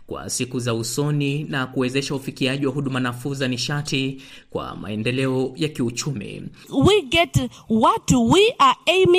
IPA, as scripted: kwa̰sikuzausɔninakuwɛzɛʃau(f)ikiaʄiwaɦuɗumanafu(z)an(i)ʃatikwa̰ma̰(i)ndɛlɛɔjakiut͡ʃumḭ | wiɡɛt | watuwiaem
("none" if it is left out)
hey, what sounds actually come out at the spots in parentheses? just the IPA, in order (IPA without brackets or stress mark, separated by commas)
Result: f, z, i, ɛ